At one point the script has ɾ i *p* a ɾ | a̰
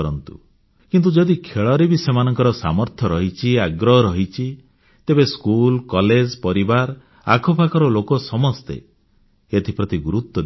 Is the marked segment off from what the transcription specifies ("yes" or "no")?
yes